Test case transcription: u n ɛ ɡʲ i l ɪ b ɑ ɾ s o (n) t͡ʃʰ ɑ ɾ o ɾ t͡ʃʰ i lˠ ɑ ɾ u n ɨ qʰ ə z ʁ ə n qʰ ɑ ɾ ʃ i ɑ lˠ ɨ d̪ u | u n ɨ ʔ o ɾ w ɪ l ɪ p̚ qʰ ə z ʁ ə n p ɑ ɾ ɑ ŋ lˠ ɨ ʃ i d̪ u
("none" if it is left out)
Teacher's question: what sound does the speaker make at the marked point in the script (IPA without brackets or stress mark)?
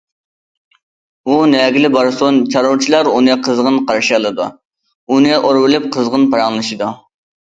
n